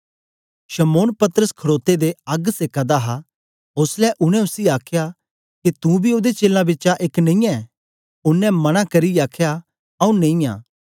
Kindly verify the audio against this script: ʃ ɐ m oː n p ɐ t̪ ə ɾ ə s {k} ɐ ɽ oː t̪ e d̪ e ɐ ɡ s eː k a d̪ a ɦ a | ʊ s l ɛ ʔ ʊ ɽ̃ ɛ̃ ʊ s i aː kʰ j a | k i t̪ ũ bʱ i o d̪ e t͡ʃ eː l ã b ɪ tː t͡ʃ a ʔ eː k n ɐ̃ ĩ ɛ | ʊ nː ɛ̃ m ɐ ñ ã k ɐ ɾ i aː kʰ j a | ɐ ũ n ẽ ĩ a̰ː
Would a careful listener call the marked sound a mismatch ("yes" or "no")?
yes